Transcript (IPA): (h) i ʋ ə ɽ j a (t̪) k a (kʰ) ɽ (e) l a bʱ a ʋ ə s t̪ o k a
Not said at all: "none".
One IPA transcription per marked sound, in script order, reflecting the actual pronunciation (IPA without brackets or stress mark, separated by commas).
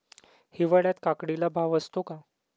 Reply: h, t̪, k, i